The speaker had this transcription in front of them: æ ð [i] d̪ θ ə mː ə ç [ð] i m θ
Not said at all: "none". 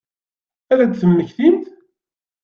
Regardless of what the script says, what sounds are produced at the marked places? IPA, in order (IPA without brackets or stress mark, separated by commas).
æ, θ